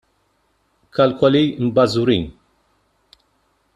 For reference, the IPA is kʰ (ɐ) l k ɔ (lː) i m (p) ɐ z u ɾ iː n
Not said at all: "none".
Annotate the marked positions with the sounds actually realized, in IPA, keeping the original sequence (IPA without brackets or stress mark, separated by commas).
ɐ, l, b